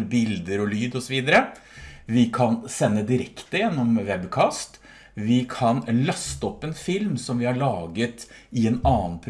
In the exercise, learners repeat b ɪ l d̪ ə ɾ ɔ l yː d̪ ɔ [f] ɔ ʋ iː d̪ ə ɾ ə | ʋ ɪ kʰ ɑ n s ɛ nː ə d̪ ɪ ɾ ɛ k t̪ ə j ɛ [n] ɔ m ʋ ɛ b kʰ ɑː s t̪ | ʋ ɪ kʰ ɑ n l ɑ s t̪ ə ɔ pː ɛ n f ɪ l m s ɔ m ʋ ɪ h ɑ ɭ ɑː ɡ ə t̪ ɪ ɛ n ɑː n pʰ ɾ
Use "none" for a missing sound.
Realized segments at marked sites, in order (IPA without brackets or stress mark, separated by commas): s, nː